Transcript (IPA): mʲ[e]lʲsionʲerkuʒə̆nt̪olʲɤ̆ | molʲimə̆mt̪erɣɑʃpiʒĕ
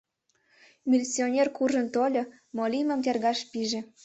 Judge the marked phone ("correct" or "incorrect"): incorrect